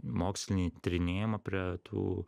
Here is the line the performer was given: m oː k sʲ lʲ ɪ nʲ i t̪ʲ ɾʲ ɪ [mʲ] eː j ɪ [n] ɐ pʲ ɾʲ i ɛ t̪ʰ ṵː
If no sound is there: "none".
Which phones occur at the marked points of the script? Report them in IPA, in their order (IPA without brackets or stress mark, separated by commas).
nʲ, m